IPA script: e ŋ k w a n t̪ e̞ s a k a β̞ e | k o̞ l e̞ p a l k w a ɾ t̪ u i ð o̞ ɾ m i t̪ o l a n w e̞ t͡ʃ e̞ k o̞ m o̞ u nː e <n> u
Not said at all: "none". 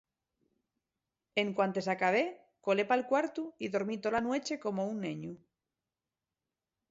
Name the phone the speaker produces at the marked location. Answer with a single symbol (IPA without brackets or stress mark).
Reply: ɲ